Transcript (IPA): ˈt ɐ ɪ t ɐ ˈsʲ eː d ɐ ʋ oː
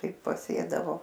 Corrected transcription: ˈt ɐ ɪ p ɐ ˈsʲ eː d ɐ ʋ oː